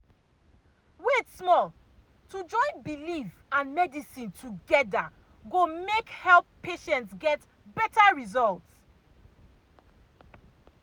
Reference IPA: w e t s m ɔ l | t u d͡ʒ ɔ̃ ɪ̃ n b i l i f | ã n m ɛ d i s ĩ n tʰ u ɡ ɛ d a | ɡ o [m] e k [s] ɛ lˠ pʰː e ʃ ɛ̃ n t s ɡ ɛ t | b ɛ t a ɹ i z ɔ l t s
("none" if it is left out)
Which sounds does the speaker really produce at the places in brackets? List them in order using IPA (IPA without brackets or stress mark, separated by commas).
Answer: m, h